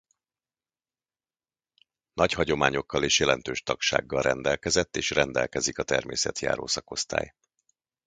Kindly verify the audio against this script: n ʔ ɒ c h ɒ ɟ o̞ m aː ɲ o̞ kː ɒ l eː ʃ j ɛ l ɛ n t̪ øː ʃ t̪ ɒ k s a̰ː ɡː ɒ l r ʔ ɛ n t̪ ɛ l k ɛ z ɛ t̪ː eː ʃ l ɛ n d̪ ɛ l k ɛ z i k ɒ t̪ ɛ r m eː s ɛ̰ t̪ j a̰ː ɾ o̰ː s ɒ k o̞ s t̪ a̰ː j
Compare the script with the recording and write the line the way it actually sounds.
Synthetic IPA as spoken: n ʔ ɒ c h ɒ ɟ o̞ m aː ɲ o̞ kː ɒ l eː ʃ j ɛ l ɛ n t̪ øː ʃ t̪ ɒ k ʃ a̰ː ɡː ɒ l r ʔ ɛ n d̪ ɛ l k ɛ z ɛ t̪ː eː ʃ r ɛ n d̪ ɛ l k ɛ z i k ɒ t̪ ɛ r m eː s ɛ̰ t̪ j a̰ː ɾ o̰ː s ɒ k o̞ s t̪ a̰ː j